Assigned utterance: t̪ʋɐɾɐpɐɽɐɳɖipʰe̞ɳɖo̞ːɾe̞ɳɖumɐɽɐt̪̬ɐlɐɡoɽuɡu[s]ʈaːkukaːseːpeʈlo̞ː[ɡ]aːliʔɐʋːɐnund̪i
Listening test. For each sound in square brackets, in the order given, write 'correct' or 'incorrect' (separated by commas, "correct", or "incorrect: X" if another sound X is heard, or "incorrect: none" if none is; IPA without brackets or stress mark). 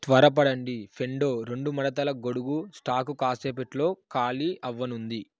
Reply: correct, incorrect: k